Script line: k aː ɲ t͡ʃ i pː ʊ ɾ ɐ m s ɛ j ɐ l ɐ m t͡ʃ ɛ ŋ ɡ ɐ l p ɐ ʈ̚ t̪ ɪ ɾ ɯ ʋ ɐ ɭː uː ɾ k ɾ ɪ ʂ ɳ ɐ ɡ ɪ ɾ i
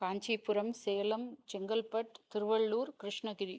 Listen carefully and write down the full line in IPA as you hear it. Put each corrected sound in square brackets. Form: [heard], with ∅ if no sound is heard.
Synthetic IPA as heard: k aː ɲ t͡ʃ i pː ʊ ɾ ɐ m s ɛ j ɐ l ɐ m t͡ʃ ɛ ŋ ɡ ɐ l p ɐ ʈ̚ t̪ ɪ ɾ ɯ ʋ ɐ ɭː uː ɾ k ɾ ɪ ʂ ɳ ɐ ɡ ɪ ɾ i